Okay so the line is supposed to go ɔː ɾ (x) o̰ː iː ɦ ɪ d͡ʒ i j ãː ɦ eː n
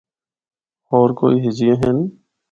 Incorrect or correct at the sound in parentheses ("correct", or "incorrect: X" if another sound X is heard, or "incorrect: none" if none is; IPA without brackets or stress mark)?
incorrect: k